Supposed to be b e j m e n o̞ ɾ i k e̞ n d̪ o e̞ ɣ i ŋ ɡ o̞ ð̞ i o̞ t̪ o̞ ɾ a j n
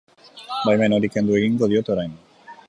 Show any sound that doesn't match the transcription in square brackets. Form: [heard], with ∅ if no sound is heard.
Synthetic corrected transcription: b [a] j m e n o̞ ɾ i k e̞ n d̪ [u] e̞ ɣ i ŋ ɡ o̞ ð̞ i o̞ t̪ o̞ ɾ a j n